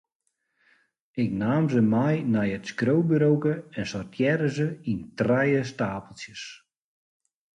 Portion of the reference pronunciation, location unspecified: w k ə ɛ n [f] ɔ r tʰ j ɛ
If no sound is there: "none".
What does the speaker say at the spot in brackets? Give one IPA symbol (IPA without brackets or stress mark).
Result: s